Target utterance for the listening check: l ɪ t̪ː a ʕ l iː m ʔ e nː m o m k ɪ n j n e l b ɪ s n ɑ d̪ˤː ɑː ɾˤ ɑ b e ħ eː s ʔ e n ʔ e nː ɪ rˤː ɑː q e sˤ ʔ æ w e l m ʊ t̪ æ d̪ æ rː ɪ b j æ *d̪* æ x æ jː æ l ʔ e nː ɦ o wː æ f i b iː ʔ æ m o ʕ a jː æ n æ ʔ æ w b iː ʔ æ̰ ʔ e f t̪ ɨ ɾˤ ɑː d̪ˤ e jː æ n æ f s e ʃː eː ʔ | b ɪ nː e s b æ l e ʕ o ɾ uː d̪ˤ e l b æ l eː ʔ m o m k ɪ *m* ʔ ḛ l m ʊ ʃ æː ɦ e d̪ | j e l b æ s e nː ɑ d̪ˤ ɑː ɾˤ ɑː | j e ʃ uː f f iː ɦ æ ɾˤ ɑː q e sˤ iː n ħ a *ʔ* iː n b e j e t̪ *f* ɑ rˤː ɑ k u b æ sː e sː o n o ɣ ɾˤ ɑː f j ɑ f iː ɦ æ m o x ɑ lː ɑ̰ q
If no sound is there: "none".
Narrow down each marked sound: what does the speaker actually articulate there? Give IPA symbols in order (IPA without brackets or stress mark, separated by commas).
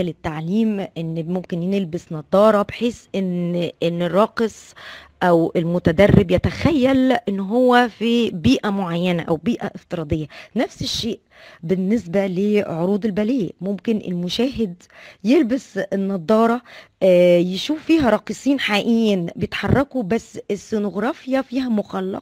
t̪, n, ʔ, ħ